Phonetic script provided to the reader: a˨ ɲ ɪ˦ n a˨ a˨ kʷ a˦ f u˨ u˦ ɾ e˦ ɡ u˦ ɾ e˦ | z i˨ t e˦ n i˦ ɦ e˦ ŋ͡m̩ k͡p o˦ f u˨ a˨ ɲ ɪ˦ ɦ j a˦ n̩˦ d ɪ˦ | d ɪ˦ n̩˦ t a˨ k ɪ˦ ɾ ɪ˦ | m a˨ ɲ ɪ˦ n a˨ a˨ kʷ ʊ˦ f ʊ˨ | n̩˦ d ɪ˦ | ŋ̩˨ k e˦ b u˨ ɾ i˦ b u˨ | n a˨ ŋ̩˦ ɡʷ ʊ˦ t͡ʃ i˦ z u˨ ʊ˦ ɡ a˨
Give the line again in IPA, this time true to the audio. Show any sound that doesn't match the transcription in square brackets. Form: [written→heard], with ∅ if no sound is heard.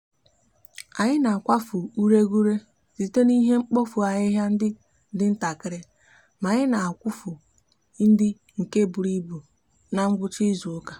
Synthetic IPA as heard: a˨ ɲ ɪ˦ n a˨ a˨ kʷ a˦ f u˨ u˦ ɾ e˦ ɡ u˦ ɾ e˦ | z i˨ t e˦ n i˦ ɦ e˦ ŋ͡m̩ k͡p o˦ f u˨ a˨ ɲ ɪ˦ ɦ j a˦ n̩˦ d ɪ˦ | d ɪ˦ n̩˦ t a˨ k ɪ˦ ɾ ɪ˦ | m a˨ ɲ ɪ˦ n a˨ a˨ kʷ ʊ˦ f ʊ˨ | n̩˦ d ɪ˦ | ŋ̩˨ k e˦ b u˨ ɾ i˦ b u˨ | n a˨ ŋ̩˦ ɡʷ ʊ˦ t͡ʃ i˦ z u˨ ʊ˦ [ɡ→k] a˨